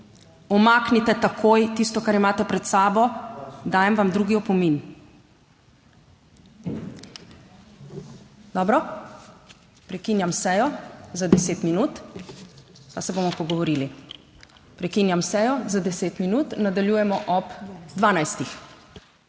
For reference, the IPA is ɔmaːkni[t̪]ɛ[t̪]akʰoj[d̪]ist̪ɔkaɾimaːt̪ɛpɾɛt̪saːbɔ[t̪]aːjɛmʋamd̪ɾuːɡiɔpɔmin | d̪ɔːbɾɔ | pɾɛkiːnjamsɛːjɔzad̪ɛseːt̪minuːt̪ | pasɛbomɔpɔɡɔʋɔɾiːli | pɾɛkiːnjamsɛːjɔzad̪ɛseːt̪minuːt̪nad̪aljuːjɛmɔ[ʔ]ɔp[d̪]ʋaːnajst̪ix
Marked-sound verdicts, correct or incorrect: correct, correct, incorrect, incorrect, correct, correct

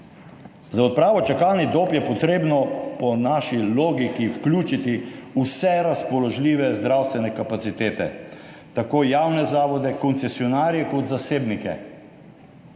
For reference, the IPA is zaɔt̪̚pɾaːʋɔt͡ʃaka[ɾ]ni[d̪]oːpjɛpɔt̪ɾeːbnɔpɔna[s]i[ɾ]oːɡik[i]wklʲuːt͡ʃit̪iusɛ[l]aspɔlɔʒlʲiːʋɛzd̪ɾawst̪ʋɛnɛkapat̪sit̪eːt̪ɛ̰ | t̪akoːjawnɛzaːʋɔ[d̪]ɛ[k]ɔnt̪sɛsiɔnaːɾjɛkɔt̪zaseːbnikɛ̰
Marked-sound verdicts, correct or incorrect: incorrect, correct, incorrect, incorrect, correct, incorrect, correct, correct

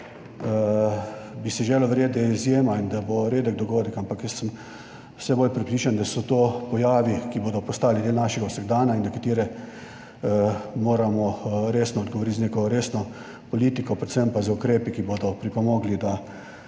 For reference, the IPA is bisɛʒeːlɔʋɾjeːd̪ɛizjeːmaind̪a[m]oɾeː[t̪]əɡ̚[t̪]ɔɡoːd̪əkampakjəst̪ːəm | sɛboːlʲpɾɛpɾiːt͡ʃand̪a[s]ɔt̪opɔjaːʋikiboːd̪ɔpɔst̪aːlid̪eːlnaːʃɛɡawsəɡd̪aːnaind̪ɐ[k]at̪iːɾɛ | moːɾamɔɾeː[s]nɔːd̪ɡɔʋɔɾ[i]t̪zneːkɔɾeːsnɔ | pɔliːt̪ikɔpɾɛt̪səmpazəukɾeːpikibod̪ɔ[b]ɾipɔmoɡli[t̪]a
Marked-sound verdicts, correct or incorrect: incorrect, incorrect, incorrect, correct, correct, correct, correct, incorrect, incorrect

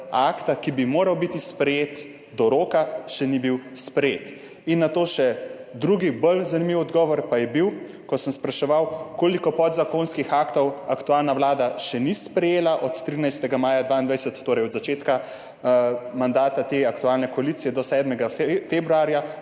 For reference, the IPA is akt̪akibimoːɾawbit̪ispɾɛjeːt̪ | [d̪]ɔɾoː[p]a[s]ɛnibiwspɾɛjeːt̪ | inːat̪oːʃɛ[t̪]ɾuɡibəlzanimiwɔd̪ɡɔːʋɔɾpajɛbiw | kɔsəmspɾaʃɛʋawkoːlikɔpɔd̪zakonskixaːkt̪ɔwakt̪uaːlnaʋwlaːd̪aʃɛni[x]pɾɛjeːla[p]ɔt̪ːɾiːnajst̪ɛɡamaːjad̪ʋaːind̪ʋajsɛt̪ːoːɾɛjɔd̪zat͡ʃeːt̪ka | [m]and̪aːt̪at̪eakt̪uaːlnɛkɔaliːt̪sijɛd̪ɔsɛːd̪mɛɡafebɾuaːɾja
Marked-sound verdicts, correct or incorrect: correct, incorrect, incorrect, incorrect, incorrect, incorrect, correct

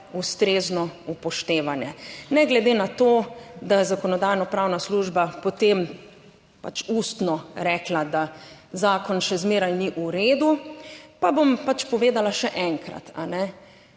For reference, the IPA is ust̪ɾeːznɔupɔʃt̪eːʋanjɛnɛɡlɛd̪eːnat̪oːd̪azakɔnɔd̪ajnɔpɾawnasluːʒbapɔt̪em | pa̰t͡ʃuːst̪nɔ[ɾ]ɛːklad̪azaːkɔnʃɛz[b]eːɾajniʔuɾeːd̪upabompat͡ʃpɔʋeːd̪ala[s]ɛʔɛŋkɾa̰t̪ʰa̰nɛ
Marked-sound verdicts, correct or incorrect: correct, incorrect, incorrect

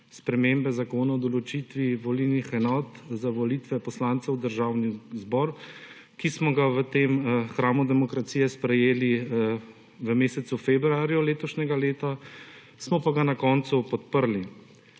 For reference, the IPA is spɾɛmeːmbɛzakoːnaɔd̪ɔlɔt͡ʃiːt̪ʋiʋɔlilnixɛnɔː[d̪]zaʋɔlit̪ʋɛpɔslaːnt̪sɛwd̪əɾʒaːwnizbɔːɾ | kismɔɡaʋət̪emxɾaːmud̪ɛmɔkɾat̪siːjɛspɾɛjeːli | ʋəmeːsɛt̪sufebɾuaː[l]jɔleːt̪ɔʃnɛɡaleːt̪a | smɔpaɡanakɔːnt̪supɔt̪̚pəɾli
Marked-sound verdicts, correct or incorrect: incorrect, incorrect

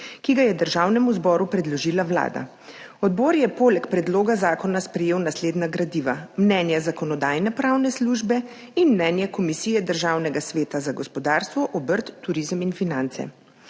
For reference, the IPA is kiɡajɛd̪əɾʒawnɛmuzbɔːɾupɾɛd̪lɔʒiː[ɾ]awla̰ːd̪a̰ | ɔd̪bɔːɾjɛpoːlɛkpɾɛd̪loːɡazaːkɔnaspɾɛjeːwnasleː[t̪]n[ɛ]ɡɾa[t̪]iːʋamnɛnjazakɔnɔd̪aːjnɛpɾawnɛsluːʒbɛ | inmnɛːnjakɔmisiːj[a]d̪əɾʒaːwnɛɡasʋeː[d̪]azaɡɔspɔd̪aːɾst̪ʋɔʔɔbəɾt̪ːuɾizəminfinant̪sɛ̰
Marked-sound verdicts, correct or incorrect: incorrect, incorrect, incorrect, incorrect, incorrect, incorrect

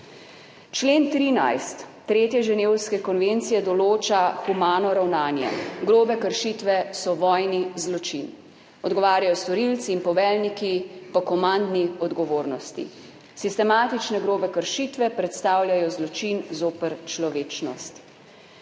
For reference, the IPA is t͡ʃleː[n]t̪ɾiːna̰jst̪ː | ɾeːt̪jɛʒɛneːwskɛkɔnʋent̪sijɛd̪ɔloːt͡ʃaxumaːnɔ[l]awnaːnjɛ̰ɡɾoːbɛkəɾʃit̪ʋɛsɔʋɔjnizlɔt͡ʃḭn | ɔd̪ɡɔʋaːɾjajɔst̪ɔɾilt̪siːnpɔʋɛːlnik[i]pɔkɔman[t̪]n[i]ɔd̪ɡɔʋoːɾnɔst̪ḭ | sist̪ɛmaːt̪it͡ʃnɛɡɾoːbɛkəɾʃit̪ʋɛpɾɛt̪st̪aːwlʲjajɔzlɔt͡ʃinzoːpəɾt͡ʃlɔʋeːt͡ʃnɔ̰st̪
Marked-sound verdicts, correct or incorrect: correct, incorrect, correct, incorrect, correct

